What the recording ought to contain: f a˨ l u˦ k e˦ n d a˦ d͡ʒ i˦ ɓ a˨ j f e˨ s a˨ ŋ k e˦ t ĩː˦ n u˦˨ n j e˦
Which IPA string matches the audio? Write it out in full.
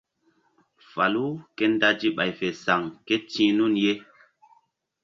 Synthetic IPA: f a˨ l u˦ k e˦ n d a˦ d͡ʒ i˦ ɓ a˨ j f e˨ s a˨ ŋ k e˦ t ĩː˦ n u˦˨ n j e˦